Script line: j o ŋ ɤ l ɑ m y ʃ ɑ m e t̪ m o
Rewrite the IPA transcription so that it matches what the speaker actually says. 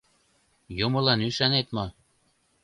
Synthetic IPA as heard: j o m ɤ l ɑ n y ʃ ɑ n e t̪ m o